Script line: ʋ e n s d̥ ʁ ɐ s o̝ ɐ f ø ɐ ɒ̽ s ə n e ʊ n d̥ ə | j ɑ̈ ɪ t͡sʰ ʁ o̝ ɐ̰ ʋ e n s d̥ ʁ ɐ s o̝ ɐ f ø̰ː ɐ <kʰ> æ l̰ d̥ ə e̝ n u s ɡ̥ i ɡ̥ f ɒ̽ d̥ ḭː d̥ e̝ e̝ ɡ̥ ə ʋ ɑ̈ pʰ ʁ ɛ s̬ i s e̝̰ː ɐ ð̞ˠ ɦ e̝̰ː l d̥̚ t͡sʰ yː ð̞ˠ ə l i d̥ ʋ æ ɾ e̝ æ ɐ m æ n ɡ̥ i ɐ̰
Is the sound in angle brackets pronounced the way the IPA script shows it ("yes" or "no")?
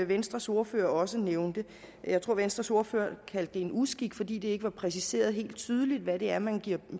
yes